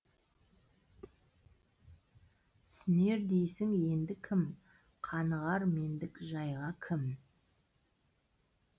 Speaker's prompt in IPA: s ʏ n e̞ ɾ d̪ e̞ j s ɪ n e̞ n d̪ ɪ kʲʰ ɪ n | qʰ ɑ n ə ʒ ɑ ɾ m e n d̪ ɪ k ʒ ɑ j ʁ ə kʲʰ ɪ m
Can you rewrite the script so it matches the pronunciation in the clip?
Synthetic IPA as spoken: s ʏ n e̞ ɾ d̪ e̞ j s ɪ ŋ e̞ n d̪ ɪ kʲʰ ɪ m | qʰ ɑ n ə ʁ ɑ ɾ m e n d̪ ɪ k ʒ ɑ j ʁ ɑ kʲʰ ɪ m